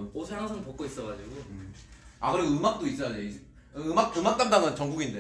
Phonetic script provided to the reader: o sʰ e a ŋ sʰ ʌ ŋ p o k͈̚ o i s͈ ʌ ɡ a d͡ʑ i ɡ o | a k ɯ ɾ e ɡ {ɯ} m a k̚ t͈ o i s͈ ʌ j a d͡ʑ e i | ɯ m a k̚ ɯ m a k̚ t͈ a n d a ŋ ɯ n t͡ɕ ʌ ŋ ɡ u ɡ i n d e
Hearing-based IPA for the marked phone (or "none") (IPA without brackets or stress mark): ɯ